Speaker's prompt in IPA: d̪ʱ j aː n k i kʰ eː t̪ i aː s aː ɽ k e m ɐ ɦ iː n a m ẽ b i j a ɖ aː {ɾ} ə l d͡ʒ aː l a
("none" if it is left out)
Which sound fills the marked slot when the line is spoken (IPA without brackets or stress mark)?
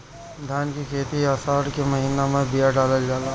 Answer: l